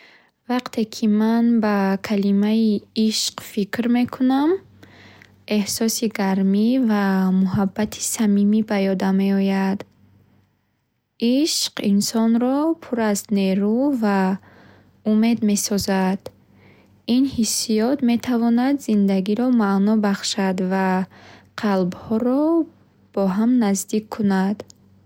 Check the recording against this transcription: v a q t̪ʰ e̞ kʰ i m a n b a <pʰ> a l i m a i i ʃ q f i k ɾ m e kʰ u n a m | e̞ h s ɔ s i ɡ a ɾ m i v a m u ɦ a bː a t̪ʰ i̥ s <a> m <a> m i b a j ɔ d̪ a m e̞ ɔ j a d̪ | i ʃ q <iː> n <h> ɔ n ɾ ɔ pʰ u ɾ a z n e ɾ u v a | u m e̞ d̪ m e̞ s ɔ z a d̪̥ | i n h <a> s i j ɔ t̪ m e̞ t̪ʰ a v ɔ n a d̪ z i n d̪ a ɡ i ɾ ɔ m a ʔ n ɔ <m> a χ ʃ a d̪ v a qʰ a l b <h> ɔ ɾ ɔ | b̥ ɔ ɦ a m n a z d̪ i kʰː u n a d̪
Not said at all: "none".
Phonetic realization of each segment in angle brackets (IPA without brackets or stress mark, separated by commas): kʰ, a, i, i, s, i, b, h